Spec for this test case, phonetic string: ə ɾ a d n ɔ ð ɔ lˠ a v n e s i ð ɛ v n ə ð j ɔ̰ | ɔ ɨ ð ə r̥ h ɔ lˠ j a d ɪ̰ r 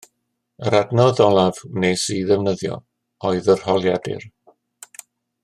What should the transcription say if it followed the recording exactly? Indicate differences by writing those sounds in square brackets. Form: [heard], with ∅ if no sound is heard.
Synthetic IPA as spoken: ə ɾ a d n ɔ ð ɔ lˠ a v n e s i ð ɛ v n ə ð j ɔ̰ | ɔ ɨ ð ə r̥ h ɔ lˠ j a d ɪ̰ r